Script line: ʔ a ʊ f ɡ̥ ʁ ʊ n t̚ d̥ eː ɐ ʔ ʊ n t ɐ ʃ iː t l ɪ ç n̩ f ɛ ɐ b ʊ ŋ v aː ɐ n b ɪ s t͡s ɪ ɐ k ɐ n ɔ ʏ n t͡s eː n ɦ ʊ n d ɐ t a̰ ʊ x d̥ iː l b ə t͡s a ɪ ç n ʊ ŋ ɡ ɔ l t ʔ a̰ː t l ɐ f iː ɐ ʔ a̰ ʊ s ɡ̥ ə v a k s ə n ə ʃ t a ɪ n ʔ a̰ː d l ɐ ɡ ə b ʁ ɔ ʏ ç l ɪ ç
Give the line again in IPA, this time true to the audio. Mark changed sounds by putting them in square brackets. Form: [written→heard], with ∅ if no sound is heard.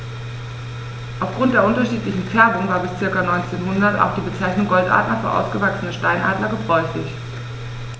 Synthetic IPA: ʔ a ʊ f ɡ̥ ʁ ʊ n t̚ d̥ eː ɐ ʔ ʊ n t ɐ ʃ iː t l ɪ ç n̩ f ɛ ɐ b ʊ ŋ v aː ɐ [n→∅] b ɪ s t͡s ɪ ɐ k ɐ n ɔ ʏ n t͡s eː n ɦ ʊ n d ɐ t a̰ ʊ x d̥ iː [l→∅] b ə t͡s a ɪ ç n ʊ ŋ ɡ ɔ l t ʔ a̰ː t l ɐ f [iː→yː] ɐ ʔ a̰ ʊ s ɡ̥ ə v a k s ə n ə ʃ t a ɪ n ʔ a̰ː d l ɐ ɡ ə b ʁ ɔ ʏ ç l ɪ ç